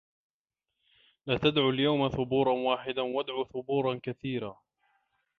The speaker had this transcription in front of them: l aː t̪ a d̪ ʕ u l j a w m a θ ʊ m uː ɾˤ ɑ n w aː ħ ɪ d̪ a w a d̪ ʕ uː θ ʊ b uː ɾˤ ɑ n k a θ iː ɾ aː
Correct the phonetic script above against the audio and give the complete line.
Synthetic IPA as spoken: l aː t̪ a d̪ ʕ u l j a w m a θ ʊ b uː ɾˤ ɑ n w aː ħ ɪ d̪ a w a d̪ ʕ uː θ ʊ b uː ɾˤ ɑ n k a θ iː ɾ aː